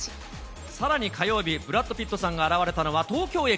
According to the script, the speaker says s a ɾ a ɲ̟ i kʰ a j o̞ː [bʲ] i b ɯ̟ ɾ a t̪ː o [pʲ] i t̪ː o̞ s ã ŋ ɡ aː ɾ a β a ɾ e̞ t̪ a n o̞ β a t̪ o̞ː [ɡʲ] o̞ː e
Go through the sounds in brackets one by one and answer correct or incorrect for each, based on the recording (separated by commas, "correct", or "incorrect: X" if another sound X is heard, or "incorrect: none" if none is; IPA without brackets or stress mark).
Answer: correct, correct, incorrect: kʲ